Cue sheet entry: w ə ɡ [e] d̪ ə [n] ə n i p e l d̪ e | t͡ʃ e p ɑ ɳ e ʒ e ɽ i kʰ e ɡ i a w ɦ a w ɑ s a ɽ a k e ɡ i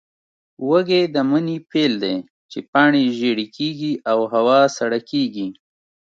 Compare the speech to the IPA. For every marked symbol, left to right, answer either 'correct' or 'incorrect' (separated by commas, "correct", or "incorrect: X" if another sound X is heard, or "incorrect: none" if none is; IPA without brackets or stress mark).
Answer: correct, incorrect: m